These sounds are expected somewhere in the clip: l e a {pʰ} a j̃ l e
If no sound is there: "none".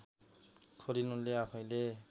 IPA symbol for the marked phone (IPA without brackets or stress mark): pʰ